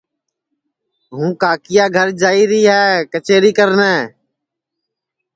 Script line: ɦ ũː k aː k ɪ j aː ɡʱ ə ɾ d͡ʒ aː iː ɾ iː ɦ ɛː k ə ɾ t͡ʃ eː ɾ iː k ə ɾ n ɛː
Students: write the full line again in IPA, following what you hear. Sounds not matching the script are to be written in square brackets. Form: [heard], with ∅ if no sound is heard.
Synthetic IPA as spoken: ɦ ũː k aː k ɪ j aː ɡʱ ə ɾ d͡ʒ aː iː ɾ iː ɦ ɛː k ə [∅] t͡ʃ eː ɾ iː k ə ɾ n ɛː